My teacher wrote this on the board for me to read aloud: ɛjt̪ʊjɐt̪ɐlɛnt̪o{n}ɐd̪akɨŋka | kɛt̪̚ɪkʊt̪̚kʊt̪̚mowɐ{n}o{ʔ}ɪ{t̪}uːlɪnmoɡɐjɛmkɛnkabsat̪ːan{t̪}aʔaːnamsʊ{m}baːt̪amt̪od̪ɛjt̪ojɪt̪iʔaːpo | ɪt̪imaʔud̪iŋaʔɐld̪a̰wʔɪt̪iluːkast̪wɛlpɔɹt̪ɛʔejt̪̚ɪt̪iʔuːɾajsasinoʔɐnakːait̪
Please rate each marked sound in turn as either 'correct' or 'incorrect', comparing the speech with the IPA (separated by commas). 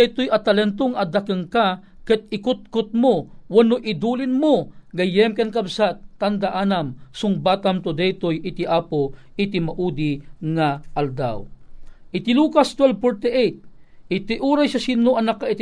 incorrect, correct, correct, incorrect, incorrect, incorrect